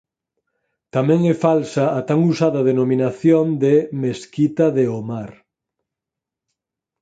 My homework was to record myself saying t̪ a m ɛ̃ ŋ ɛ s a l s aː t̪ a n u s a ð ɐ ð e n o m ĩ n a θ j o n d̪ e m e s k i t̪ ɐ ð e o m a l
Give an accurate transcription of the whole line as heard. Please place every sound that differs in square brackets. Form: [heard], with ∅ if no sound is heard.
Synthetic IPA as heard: t̪ a m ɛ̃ ŋ ɛ [f] a l s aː t̪ a [ŋ] u s a ð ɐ ð e n o m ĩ n a θ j o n d̪ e m e s k i t̪ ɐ ð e o m a [ɾ]